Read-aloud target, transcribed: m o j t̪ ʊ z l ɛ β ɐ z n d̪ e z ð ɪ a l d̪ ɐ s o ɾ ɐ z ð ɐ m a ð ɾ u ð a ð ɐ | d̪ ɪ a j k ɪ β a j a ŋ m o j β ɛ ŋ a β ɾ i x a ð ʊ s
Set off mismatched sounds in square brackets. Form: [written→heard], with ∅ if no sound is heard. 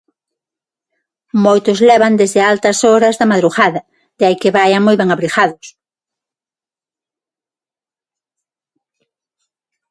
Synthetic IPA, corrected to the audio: m o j t̪ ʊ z l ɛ β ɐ [z→∅] n d̪ e z ð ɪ a l [d̪→t̪] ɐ s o ɾ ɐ z ð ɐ m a ð ɾ u [ð→ɣ] a ð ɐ | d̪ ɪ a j k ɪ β a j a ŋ m o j β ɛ ŋ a β ɾ i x a ð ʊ s